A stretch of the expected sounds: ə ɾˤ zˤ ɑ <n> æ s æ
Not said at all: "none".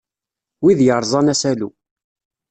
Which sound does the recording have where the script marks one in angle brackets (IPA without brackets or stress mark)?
n